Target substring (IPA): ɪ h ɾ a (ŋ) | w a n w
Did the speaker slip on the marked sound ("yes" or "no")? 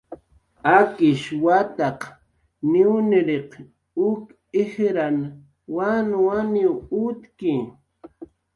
yes